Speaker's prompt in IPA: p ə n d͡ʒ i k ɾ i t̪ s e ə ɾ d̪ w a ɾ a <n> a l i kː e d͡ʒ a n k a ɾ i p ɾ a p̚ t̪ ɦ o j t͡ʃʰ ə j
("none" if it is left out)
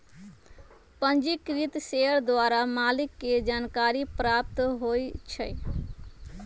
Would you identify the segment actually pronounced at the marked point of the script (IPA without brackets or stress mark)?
m